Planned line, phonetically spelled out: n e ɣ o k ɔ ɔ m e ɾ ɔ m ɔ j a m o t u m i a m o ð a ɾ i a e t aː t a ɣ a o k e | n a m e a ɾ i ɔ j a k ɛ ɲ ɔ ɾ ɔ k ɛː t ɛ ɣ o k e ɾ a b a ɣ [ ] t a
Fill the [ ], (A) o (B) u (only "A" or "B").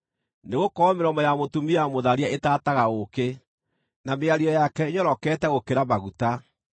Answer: B